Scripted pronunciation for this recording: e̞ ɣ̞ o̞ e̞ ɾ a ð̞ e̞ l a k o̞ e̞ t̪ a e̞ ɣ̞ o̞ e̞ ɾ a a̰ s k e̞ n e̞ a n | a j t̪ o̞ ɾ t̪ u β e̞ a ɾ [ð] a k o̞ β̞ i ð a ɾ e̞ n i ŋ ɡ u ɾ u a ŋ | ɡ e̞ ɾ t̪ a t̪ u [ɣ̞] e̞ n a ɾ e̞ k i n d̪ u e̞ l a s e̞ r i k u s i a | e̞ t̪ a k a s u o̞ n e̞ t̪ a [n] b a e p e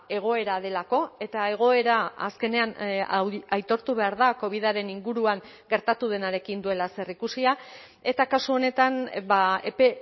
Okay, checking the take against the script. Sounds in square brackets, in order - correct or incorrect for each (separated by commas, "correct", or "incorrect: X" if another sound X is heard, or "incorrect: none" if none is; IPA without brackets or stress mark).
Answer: correct, incorrect: ð̞, correct